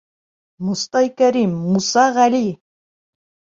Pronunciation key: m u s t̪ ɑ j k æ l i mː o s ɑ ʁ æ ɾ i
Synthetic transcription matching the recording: m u s t̪ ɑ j k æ ɾ i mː u s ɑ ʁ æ l i